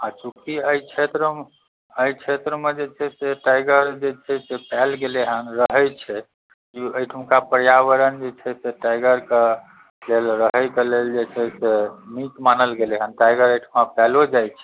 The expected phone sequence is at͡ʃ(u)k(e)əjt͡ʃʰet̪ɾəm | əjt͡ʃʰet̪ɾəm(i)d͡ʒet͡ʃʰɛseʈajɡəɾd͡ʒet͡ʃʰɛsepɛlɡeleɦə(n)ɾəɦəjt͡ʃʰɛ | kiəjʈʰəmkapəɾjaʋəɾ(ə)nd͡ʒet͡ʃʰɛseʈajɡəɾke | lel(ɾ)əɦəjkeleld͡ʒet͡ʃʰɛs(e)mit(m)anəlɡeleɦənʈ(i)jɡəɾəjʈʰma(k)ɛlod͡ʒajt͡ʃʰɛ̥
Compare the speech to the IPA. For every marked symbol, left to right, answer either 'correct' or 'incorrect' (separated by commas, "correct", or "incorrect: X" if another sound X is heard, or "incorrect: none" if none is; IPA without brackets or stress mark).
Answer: correct, incorrect: i, incorrect: e, correct, correct, correct, correct, correct, incorrect: a, incorrect: p